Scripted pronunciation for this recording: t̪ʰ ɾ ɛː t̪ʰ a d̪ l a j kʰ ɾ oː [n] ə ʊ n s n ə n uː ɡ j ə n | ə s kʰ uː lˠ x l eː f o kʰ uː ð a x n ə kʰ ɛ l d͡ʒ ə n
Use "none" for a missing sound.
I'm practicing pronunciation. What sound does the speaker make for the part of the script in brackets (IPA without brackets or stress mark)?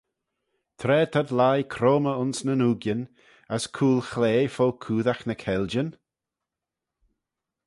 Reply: m